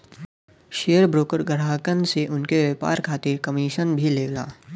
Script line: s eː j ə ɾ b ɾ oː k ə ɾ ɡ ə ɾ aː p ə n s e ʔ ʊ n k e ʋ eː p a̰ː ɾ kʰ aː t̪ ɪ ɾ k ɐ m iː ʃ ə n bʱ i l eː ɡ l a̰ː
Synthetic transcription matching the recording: ʃ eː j ə ɾ b ɾ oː k ə ɾ ɡ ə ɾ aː k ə n s e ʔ ʊ n k e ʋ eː p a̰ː ɾ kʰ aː t̪ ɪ ɾ k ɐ m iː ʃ ə n bʱ i l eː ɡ l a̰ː